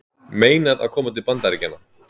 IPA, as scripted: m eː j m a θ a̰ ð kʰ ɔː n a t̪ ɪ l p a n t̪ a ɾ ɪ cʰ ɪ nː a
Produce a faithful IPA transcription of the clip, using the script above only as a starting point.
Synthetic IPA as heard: m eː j n a ð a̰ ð kʰ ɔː m a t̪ ɪ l p a n t̪ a ɾ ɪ c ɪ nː a